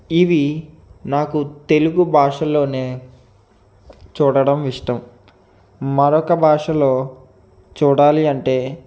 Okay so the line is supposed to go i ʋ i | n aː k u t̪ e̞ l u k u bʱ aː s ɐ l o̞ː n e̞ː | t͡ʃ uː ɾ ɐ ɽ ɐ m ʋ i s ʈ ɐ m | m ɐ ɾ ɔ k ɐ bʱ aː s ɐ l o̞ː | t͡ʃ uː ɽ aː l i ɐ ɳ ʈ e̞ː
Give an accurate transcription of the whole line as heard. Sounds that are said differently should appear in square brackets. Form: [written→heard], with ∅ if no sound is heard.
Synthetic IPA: i ʋ i | n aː k u t̪ e̞ l u [k→ɡ] u bʱ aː [s→ʂ] ɐ l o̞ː n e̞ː | t͡ʃ uː [ɾ→ɽ] ɐ ɽ ɐ m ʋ i [s→ʂ] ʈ ɐ m | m ɐ ɾ ɔ k ɐ bʱ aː [s→ʂ] ɐ l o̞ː | t͡ʃ uː ɽ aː l i ɐ ɳ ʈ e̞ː